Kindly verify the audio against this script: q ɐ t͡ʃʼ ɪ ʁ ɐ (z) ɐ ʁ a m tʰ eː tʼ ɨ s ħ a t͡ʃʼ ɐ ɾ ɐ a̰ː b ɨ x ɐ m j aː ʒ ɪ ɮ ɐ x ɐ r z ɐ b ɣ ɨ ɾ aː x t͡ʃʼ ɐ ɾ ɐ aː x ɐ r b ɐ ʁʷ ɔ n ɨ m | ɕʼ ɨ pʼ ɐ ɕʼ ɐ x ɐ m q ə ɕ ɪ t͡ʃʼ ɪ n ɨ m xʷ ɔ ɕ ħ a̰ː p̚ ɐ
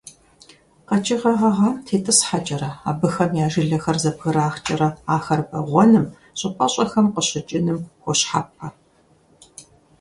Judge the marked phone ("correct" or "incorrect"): incorrect